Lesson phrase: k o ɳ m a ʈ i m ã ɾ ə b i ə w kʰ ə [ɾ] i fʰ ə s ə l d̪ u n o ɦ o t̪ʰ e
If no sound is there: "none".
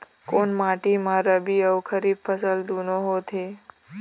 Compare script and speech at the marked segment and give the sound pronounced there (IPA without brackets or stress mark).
ɾ